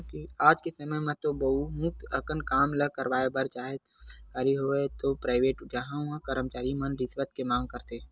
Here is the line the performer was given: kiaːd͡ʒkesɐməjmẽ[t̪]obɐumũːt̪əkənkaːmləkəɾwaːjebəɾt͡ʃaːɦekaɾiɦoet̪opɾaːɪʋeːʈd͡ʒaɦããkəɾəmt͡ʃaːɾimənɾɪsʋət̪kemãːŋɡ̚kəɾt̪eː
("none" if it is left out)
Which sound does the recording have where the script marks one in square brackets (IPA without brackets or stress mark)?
t̪